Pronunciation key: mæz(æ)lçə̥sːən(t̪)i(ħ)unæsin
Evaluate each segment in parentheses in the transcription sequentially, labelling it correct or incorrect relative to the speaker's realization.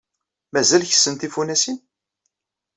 correct, correct, incorrect: f

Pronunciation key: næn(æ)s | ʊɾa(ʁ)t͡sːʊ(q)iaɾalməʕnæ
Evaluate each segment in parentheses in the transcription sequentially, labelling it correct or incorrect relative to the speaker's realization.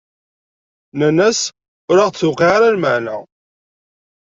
correct, correct, correct

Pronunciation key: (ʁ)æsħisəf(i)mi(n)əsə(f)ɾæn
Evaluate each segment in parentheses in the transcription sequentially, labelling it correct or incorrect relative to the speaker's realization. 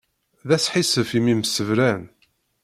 incorrect: ð, correct, incorrect: m, incorrect: v

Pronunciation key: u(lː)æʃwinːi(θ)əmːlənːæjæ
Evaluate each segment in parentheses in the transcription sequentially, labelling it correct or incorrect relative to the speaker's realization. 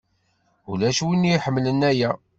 incorrect: l, incorrect: ħ

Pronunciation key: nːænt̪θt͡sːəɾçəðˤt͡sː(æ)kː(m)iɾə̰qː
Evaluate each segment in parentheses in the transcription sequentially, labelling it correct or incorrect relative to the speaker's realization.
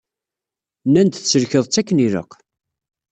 correct, incorrect: n

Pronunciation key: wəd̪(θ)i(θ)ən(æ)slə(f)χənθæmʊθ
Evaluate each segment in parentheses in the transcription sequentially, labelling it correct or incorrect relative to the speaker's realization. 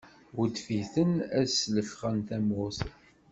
incorrect: f, correct, correct, correct

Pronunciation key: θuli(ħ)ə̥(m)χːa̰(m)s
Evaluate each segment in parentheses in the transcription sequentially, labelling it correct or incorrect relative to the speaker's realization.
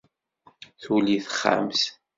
incorrect: θ, incorrect: none, correct

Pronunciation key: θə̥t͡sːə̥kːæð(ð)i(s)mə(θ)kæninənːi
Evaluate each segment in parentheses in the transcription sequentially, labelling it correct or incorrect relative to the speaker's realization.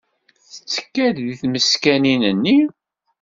correct, incorrect: θ, incorrect: s

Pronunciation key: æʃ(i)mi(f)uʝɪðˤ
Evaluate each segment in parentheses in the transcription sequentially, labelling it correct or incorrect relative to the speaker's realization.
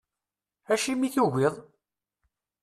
correct, incorrect: θ

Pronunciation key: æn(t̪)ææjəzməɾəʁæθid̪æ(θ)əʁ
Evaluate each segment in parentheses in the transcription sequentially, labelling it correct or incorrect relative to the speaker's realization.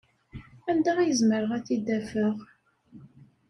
incorrect: d̪, incorrect: f

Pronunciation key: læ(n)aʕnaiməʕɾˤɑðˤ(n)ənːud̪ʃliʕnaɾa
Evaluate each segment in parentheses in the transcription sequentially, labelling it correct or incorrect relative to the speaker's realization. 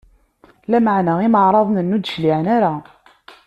incorrect: m, correct

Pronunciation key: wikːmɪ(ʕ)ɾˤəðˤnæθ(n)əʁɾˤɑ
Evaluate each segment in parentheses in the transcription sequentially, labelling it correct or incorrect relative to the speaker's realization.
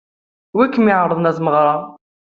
correct, incorrect: m

